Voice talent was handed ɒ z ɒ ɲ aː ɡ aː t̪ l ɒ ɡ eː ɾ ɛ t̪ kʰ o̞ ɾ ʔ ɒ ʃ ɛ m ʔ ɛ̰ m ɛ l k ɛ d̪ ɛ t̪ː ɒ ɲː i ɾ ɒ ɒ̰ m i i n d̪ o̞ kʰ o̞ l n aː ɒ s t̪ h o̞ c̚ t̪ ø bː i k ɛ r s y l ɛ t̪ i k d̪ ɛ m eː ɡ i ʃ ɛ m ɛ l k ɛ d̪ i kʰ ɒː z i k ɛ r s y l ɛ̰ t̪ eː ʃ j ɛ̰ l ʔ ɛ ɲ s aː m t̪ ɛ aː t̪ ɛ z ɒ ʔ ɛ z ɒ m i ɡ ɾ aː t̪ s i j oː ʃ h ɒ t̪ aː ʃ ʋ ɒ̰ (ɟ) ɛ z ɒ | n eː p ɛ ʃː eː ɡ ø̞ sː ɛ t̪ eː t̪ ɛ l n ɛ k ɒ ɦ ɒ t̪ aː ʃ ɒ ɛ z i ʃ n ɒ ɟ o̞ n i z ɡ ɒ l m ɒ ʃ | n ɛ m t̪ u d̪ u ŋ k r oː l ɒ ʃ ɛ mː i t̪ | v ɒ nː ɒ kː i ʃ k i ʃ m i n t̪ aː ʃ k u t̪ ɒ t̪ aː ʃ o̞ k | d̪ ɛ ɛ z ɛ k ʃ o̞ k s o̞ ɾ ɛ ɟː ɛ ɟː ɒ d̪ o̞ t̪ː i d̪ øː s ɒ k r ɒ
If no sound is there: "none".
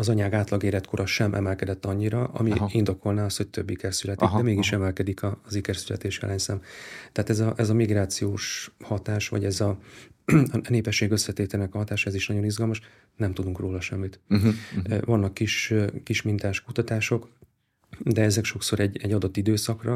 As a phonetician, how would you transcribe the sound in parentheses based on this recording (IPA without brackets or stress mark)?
ɟ